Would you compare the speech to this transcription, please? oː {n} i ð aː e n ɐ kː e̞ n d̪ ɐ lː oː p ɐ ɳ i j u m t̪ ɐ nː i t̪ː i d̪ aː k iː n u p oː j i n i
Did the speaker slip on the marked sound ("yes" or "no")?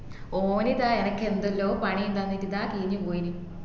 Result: no